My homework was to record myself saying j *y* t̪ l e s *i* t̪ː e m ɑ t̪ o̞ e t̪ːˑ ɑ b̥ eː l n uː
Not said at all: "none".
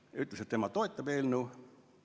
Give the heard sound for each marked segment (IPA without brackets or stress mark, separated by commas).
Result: y, e